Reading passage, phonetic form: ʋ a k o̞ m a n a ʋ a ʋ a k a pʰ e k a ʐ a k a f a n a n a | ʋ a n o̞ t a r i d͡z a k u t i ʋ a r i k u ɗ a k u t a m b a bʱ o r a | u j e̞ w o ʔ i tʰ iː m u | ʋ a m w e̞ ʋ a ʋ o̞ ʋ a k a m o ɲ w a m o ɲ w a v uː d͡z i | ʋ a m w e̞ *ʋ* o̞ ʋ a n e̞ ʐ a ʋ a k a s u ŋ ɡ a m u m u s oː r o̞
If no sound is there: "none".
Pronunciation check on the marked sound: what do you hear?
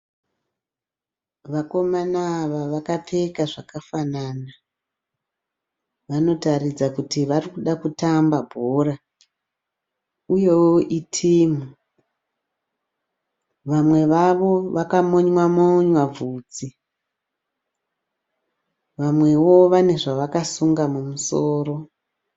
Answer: w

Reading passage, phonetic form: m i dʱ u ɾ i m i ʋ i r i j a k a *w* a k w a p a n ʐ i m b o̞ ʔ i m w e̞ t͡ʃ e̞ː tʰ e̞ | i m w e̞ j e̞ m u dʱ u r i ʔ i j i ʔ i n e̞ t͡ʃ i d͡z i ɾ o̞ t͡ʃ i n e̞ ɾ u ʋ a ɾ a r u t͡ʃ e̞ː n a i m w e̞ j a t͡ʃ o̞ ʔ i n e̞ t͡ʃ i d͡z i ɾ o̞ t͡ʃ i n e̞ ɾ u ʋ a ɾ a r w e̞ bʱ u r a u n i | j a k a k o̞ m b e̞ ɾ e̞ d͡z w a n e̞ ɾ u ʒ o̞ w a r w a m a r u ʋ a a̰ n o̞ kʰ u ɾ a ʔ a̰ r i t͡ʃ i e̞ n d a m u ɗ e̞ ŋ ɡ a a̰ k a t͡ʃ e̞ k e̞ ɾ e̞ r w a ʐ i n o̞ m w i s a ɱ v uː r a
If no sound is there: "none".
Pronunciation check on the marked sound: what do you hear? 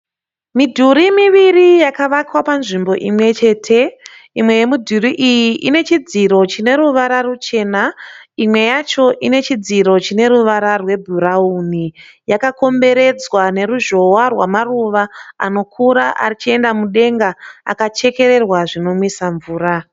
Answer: ʋ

